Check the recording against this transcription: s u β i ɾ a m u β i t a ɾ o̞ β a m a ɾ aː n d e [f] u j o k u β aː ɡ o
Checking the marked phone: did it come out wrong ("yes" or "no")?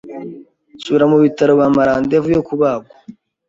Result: yes